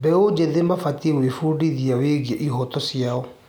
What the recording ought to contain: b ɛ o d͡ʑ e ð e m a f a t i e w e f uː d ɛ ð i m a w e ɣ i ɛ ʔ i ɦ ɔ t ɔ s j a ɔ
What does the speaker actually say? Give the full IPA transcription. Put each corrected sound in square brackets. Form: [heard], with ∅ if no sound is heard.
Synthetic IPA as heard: b ɛ o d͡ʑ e ð e m a f a t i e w e f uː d [i] ð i [∅] a w e ɣ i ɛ ʔ i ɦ ɔ t ɔ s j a ɔ

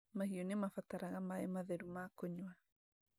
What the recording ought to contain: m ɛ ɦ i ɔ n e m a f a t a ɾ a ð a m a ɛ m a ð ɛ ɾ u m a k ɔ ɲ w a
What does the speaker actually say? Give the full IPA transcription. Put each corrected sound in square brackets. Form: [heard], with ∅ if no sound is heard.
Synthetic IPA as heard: m [a] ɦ i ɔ n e m a f a t a ɾ a [ɣ] a m a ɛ m a ð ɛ ɾ u m a k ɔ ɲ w a

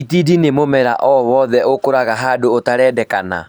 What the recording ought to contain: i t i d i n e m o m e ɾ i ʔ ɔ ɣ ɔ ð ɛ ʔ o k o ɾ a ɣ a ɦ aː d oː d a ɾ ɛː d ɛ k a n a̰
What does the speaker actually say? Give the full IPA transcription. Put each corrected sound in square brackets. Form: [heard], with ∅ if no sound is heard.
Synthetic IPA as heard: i t i d i n e m o m [ɛ] ɾ [a] ʔ ɔ [w] ɔ ð ɛ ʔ o k o ɾ a ɣ a ɦ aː d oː [t] a ɾ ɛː d ɛ k a n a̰

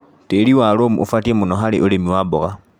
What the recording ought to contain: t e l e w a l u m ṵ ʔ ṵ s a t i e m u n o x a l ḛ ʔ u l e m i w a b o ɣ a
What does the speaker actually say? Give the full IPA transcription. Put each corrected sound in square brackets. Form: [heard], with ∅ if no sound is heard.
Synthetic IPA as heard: t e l [i] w a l [o] m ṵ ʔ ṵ [f] a t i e m u n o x a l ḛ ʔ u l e m i w a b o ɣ a

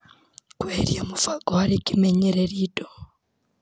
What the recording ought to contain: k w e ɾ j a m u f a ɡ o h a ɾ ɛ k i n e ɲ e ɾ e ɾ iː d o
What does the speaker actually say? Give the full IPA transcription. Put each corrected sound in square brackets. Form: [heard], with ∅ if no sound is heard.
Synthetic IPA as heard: k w e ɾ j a m u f a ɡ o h a ɾ [i] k i [m] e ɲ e ɾ e ɾ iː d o

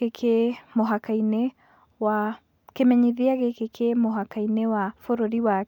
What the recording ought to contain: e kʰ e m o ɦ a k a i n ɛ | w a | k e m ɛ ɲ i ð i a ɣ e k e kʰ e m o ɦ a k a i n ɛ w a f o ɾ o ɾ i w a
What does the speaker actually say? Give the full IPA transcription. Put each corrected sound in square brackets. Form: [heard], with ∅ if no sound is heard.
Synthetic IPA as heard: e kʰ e m o ɦ a k a i n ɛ | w a | k e m ɛ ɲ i ð i a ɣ e k e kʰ e m o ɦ a k a i n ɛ w a f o ɾ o ɾ i w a

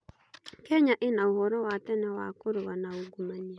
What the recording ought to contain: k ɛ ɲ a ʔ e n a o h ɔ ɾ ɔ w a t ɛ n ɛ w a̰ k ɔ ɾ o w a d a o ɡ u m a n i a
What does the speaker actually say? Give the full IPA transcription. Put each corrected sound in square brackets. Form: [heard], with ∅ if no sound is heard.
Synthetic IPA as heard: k ɛ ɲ a ʔ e n a o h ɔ ɾ ɔ w a t ɛ n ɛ w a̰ k [o] ɾ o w a [n] a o ɡ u m a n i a

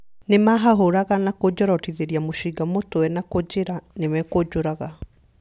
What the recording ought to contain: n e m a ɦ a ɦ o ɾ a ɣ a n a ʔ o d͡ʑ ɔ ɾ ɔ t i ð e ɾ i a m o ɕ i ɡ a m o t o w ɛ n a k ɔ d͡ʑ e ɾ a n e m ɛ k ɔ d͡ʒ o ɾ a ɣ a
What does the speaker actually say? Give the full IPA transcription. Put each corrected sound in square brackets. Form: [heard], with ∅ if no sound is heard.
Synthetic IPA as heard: n e m a ɦ a ɦ o ɾ a ɣ a n a [k] o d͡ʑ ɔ ɾ ɔ t i ð e ɾ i a m o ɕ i ɡ a m o t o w ɛ n a k [o] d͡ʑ e ɾ a n e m ɛ k [o] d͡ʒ o ɾ a ɣ a

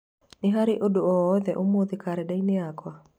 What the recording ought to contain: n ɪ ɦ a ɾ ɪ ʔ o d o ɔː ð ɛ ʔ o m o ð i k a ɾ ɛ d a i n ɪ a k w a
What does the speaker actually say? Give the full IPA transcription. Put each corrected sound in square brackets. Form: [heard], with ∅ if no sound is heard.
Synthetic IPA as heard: n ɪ ɦ a ɾ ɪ ʔ o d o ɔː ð ɛ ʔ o m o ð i k a ɾ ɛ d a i n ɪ a k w a

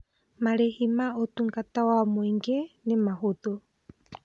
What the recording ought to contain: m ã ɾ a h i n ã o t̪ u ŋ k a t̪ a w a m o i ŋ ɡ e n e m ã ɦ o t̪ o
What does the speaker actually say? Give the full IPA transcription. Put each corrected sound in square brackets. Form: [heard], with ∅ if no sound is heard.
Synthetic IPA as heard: m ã ɾ [e] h i [m] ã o t̪ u ŋ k a t̪ a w a m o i ŋ ɡ e n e m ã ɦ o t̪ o

